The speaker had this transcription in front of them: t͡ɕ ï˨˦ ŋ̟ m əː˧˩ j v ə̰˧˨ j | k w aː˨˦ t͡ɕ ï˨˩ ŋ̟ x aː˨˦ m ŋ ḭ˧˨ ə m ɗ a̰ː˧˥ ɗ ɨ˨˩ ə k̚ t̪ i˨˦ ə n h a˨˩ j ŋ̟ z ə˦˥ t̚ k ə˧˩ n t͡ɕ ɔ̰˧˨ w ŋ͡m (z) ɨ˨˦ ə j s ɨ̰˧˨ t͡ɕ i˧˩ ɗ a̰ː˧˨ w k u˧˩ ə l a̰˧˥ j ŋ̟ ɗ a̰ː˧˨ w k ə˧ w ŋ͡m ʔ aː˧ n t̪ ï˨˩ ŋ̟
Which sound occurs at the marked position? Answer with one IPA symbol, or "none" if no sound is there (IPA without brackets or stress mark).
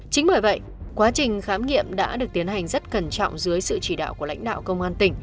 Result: z